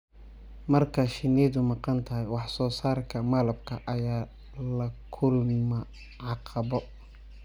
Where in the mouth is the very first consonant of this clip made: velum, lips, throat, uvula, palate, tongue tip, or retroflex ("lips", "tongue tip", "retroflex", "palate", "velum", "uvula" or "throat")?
lips